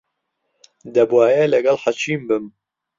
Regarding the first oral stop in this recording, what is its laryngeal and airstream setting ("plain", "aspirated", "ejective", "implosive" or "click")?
plain